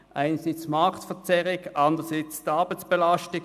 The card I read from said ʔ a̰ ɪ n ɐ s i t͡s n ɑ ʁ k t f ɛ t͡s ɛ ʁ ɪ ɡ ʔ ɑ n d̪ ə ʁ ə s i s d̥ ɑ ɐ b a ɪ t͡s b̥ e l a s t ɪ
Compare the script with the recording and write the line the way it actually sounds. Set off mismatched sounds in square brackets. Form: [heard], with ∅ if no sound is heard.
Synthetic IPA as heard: ʔ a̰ ɪ n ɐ s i t͡s [m] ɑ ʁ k t f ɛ t͡s ɛ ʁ ɪ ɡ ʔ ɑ n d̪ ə ʁ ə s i [t͡s] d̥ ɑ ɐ b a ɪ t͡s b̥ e l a s t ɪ